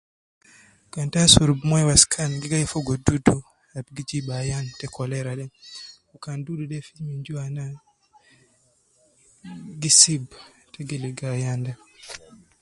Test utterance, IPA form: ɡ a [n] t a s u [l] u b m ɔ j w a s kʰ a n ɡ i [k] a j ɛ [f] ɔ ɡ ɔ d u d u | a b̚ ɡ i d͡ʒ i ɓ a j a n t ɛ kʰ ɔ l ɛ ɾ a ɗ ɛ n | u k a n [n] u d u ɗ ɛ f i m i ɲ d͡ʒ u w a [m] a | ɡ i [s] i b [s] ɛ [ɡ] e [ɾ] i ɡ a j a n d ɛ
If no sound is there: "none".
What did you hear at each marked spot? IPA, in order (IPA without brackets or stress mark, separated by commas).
n, ɾ, ɡ, f, d, n, s, t, ɡ, l